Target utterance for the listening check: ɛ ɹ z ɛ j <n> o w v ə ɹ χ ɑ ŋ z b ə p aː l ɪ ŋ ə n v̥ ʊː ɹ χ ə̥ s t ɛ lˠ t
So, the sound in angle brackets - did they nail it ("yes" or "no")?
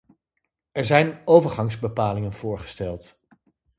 yes